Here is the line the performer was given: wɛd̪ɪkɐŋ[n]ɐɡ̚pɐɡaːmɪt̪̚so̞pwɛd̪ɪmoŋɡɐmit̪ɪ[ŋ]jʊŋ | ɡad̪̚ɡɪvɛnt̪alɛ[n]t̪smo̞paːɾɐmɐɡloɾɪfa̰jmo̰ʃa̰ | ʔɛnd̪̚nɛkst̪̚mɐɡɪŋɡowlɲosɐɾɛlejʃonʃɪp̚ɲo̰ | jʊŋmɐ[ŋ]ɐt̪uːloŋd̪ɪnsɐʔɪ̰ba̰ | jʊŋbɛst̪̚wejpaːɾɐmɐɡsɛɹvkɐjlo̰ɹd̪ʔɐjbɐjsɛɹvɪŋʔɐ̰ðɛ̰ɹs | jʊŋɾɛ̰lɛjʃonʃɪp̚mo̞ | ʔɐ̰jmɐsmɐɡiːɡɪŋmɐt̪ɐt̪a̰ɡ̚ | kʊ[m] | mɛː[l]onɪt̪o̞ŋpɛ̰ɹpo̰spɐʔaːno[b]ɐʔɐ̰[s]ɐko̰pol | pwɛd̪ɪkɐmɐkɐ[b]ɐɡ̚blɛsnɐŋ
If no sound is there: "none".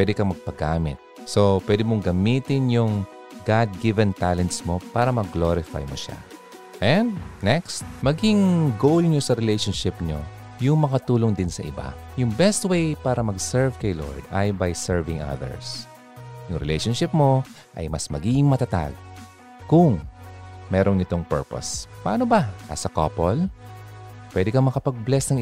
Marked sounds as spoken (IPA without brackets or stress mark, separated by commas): m, n, n, ŋ, ŋ, ɾ, b, s, p